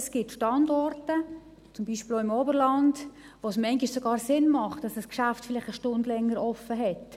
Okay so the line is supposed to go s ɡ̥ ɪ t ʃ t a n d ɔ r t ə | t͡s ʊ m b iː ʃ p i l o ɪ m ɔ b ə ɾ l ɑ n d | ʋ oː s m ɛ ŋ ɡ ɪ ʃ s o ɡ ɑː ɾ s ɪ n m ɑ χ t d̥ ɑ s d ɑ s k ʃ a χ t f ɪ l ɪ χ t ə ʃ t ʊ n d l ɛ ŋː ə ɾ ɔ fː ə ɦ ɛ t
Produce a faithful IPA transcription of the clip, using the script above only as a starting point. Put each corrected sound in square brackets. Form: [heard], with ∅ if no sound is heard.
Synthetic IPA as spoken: s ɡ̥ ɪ t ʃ t [ɑ] n d ɔ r t ə | t͡s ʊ m b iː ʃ p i l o ɪ m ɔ b ə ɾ l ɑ n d | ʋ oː s m ɛ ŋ ɡ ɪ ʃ s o ɡ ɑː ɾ s ɪ n m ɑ χ t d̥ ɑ s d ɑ s k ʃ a [f] t f ɪ l ɪ χ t ə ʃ t ʊ n d l ɛ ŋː ə ɾ ɔ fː ə ɦ ɛ t